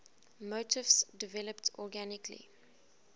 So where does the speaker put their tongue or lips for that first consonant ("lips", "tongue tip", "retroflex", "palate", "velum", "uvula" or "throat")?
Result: lips